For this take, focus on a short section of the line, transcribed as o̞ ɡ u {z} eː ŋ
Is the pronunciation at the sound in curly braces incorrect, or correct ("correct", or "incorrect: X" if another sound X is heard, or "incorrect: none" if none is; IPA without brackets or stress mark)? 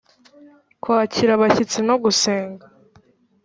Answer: incorrect: s